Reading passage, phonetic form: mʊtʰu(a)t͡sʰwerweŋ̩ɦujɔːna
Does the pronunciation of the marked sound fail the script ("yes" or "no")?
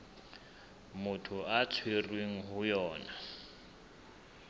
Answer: no